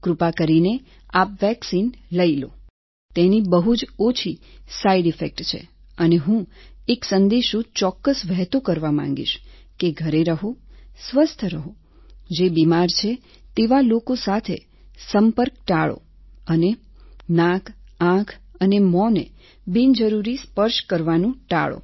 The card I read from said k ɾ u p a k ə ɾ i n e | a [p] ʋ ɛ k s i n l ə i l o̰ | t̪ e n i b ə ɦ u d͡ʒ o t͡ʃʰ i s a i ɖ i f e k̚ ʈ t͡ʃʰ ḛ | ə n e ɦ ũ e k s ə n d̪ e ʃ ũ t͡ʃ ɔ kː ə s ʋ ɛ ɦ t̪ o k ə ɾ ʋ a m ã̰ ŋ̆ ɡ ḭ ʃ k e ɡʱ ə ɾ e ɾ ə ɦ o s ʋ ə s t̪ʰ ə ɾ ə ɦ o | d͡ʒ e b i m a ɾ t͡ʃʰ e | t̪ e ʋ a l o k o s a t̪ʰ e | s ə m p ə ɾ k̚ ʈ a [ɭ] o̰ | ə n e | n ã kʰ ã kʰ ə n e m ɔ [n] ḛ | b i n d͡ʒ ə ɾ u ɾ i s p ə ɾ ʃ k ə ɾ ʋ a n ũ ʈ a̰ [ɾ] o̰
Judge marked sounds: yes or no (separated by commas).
yes, yes, yes, no